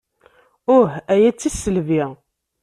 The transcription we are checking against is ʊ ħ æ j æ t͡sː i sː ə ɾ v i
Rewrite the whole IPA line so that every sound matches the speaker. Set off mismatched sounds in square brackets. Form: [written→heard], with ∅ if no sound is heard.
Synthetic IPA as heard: ʊ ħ æ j æ t͡sː i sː ə [ɾ→l] v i